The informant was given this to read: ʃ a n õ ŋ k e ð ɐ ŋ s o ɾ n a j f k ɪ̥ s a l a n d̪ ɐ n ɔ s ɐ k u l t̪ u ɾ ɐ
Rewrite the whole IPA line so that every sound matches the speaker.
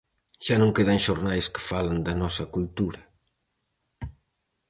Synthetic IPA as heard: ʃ a n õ ŋ k e ð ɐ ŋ ʃ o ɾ n a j s k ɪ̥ f a l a n d̪ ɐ n ɔ s ɐ k u l t̪ u ɾ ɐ